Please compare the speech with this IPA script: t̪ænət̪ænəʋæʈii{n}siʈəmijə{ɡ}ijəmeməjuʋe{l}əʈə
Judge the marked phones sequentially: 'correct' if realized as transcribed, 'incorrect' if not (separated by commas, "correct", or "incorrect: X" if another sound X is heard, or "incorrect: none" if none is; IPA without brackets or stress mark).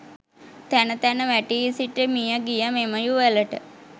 incorrect: none, correct, correct